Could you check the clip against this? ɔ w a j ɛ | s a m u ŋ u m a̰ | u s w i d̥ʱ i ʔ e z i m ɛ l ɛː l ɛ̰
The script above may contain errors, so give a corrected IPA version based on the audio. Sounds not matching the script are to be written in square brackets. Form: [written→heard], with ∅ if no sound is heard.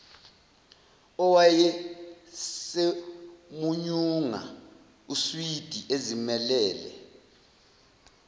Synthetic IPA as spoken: ɔ w a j ɛ | s [a→e] m u [ŋ→ɲ] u [m→ŋ] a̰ | u s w i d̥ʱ i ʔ e z i m ɛ l ɛː l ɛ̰